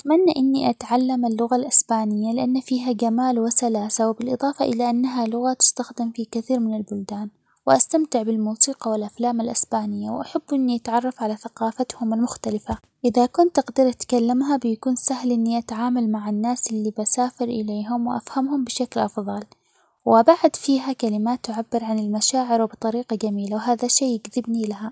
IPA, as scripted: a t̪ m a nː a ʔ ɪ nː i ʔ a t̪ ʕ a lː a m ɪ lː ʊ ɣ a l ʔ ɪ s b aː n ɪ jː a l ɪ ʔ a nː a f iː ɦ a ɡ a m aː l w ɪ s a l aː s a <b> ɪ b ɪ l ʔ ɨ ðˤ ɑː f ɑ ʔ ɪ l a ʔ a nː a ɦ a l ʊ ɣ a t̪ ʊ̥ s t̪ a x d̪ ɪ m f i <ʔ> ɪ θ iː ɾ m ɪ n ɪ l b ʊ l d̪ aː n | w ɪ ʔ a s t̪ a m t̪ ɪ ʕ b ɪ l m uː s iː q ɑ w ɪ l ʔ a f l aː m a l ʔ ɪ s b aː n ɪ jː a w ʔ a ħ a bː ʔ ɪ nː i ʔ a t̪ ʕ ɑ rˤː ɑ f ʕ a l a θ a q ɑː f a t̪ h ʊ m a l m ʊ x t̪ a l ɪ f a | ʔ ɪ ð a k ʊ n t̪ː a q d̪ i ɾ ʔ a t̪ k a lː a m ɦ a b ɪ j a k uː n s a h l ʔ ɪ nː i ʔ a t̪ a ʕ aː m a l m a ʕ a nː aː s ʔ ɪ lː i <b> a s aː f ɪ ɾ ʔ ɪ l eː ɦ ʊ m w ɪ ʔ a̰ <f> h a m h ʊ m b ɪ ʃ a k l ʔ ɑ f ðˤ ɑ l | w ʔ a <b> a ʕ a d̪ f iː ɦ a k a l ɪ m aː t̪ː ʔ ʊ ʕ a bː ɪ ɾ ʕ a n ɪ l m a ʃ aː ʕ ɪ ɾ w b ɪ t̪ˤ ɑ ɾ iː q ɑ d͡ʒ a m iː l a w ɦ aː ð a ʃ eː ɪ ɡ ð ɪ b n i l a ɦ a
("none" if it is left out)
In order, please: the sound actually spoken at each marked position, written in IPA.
w, k, b, f, b

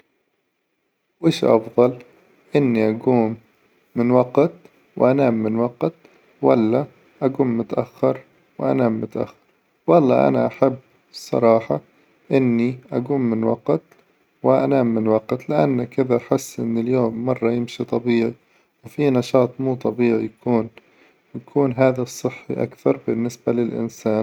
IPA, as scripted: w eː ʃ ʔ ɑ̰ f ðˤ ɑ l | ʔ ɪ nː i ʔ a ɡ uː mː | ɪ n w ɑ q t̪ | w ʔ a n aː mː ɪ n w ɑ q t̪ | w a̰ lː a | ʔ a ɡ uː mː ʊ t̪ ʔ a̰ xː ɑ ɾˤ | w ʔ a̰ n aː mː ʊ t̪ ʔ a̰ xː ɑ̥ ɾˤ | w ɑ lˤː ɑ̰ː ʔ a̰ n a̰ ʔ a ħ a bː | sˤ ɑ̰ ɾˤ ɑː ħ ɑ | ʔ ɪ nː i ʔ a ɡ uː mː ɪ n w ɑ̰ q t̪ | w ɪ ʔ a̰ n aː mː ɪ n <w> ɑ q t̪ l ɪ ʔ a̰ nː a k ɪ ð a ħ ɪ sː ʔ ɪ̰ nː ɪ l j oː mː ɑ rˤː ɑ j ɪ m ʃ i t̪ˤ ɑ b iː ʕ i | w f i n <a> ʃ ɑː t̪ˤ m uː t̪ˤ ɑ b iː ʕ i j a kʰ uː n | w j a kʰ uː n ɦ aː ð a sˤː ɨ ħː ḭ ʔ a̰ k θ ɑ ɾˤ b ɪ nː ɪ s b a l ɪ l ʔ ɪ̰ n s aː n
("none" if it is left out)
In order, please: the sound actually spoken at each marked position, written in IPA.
w, ɑ

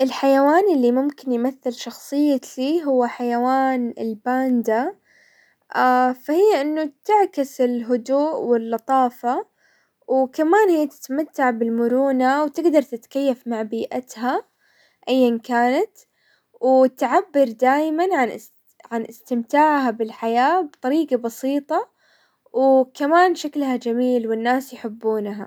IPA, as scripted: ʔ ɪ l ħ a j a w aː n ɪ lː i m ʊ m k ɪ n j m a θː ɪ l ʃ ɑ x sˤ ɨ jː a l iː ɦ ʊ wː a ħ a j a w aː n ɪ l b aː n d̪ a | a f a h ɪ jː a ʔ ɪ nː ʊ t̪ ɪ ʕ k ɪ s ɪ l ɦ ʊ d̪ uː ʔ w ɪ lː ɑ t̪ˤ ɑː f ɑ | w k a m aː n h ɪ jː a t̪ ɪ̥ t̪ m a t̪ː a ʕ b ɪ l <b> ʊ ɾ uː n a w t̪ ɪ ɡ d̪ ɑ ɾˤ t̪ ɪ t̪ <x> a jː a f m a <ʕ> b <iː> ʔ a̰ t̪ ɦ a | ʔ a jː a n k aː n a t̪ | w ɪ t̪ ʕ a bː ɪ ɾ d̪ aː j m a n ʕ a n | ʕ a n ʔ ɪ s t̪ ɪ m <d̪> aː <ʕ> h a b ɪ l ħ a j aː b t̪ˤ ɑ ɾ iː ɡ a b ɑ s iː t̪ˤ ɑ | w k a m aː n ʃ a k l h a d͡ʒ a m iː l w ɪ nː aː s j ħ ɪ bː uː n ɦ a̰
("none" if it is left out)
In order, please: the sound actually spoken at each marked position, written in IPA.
m, k, ʕ, iː, t̪, ʕ

